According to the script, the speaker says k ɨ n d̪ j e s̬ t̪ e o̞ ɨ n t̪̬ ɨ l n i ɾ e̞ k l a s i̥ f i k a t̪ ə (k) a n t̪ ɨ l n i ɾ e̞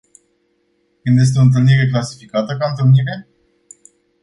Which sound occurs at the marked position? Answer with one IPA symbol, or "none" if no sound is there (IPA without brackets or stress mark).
k